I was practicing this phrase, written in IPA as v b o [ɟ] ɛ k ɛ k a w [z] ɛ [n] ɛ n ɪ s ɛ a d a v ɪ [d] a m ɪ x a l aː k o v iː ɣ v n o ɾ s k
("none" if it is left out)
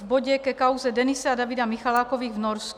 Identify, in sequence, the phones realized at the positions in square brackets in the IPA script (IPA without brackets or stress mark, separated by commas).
ɟ, z, d, d